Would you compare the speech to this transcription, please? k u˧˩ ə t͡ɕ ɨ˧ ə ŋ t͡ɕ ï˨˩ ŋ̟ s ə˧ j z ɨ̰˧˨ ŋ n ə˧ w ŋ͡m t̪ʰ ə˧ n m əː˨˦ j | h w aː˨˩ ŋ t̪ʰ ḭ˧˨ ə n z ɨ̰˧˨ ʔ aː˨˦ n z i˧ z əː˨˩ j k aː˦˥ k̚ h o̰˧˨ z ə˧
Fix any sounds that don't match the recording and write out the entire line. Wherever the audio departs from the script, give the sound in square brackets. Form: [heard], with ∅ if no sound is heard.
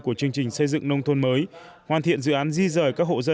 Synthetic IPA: k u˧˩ ə t͡ɕ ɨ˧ ə ŋ t͡ɕ ï˨˩ ŋ̟ s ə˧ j z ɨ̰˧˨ ŋ n ə˧ w ŋ͡m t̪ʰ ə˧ n m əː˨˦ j | h w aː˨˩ [n] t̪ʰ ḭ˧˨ ə n z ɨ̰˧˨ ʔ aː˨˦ n z i˧ z əː˨˩ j k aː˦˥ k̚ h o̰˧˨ z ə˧